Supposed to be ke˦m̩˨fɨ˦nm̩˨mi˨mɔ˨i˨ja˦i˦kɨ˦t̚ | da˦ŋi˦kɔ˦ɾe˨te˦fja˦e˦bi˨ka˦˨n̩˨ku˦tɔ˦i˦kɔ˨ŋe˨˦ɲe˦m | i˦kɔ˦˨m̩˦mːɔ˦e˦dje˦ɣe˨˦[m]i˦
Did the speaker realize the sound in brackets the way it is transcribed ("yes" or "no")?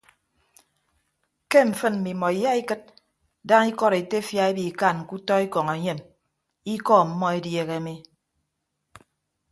yes